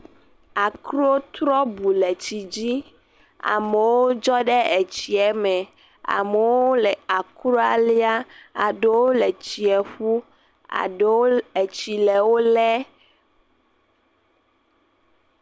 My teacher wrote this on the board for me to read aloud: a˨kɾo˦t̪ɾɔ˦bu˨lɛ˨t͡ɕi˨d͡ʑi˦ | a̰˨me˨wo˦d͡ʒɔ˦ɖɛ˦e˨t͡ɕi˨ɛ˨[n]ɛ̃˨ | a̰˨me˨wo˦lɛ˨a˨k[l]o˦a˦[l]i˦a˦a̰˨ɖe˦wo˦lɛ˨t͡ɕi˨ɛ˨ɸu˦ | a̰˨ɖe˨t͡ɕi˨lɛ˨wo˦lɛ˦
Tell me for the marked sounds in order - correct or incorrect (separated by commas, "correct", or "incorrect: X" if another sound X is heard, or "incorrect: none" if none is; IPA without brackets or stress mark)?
incorrect: m, incorrect: ɾ, correct